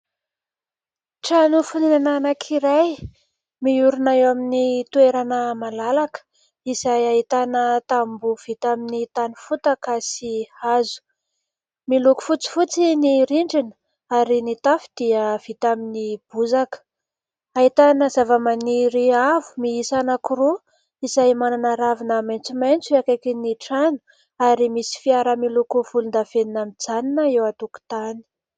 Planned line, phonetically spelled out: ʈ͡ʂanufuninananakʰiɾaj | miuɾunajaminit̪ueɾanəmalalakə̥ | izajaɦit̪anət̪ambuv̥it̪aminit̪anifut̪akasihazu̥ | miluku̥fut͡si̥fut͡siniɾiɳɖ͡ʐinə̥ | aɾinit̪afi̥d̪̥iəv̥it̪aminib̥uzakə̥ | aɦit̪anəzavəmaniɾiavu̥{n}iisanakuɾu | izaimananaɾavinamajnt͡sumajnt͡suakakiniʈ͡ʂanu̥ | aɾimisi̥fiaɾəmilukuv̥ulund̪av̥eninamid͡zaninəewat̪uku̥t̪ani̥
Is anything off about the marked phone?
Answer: yes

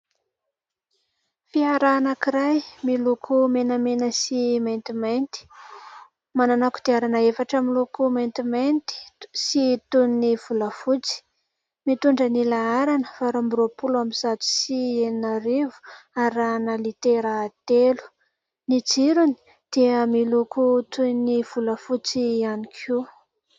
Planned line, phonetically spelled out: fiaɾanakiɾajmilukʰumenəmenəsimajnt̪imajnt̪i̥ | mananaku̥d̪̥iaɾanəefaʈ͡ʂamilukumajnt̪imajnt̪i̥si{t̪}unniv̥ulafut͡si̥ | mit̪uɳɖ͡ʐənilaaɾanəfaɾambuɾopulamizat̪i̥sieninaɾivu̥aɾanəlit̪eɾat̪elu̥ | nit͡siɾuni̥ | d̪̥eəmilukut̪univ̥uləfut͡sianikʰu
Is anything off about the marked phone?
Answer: no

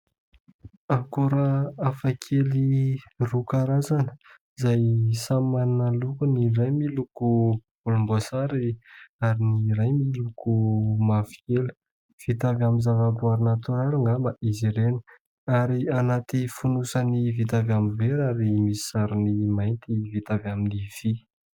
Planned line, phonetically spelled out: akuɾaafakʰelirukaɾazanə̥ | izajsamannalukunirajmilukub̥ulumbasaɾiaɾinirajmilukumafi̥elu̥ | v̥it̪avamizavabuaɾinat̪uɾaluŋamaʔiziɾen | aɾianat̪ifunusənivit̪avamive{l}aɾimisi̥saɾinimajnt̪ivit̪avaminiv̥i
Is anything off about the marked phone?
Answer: yes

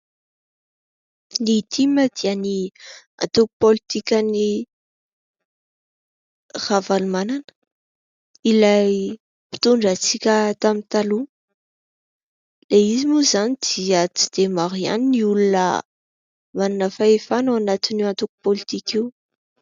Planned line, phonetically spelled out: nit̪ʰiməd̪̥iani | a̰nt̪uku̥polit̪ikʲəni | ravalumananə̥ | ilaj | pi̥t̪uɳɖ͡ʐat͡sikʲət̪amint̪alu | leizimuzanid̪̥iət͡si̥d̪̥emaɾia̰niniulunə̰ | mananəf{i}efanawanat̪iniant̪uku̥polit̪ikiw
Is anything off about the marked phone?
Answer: yes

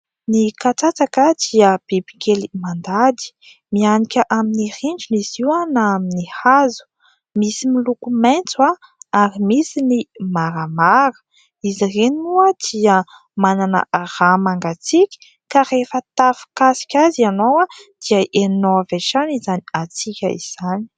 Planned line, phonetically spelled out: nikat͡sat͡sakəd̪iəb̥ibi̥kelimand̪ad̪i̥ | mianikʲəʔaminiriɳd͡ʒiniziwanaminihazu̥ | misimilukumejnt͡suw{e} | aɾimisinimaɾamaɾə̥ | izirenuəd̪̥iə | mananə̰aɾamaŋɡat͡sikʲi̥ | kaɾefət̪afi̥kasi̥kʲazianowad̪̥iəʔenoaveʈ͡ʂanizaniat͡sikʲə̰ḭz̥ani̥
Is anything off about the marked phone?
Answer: yes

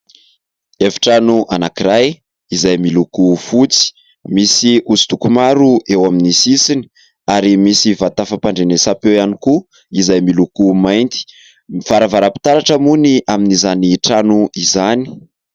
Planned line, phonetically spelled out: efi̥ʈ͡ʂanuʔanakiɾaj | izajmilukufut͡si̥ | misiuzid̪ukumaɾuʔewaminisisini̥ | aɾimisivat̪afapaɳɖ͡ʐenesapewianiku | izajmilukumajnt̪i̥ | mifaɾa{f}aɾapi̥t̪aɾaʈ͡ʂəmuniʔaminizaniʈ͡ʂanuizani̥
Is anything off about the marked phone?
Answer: yes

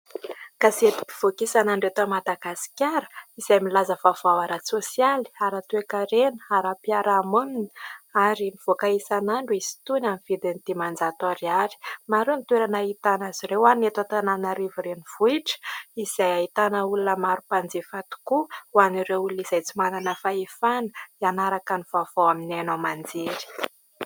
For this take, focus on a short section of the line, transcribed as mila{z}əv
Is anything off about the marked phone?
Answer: no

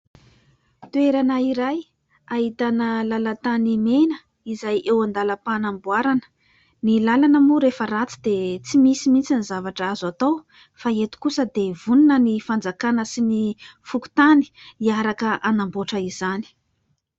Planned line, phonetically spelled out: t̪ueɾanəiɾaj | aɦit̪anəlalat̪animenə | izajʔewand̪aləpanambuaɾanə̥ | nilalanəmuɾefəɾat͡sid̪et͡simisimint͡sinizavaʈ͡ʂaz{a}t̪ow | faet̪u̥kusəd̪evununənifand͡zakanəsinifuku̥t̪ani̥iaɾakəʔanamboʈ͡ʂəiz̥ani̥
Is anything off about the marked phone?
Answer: no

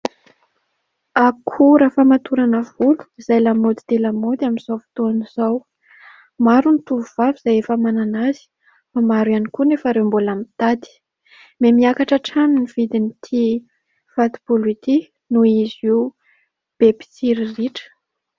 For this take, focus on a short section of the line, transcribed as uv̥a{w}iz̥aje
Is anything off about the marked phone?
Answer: yes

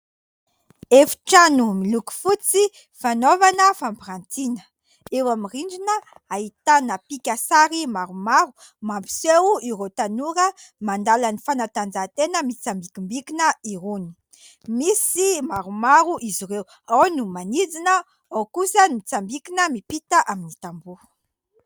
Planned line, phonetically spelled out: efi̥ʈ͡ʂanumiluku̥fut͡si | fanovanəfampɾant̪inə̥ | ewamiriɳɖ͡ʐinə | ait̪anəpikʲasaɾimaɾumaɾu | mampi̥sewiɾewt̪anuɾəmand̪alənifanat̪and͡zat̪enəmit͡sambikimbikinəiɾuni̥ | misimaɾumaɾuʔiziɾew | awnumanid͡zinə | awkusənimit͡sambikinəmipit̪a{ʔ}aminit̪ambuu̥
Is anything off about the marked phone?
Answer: no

